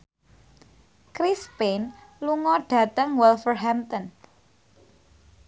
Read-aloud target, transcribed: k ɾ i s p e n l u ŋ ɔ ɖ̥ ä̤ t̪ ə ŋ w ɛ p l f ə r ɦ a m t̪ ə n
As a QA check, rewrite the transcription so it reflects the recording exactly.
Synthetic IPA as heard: k ɾ i s p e n l u ŋ ɔ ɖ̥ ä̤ t̪ ə ŋ w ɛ l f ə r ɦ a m t̪ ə n

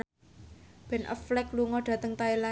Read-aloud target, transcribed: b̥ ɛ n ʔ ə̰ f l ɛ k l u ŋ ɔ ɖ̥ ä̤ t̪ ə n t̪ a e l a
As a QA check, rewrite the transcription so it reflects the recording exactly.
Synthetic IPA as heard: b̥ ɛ n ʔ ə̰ f l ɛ k l u ŋ ɔ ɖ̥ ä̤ t̪ ə ŋ t̪ a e l a

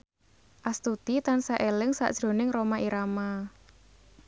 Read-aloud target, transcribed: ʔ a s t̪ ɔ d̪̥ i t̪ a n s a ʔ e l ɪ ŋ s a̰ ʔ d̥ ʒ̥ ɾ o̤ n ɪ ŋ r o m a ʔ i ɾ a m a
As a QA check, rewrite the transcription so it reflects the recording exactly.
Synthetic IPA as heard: ʔ a s t̪ u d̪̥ i t̪ a n s a ʔ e l ɪ ŋ s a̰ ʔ d̥ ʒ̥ ɾ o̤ n ɪ ŋ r o m a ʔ i ɾ a m a

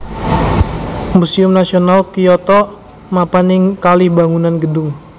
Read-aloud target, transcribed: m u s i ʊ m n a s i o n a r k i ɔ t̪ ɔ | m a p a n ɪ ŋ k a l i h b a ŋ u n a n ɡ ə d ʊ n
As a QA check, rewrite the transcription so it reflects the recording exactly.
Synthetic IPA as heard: m u s i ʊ m n a s i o n a l k i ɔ t̪ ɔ | m a p a n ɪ ŋ k a l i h b a ŋ u n a n ɡ ə d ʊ ŋ

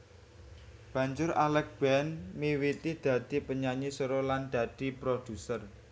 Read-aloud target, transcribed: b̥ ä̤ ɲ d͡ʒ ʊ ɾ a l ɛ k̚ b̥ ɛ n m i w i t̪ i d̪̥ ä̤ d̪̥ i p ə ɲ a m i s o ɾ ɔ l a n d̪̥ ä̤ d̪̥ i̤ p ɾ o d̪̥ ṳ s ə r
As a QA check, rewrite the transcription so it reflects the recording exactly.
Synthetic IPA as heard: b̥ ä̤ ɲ d͡ʒ ʊ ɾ a l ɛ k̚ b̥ ɛ n m i w i t̪ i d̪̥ ä̤ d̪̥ i p ə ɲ a ɲ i s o ɾ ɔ l a n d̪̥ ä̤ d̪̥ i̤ p ɾ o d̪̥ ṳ s ə r

